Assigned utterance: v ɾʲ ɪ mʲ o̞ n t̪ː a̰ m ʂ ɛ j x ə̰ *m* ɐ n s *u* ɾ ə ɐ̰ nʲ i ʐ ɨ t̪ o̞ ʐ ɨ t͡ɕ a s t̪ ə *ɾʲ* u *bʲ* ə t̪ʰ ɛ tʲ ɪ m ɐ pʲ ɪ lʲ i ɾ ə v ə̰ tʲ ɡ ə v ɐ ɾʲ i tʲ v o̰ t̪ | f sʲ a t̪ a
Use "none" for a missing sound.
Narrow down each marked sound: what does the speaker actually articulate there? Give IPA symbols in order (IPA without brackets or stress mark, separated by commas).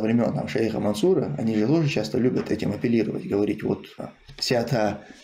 m, u, lʲ, bʲ